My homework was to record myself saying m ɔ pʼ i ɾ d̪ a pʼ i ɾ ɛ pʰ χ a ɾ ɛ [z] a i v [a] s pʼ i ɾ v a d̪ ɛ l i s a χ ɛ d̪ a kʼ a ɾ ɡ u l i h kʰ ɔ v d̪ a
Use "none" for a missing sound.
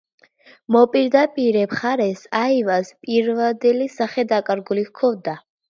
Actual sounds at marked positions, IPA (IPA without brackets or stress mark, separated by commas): s, a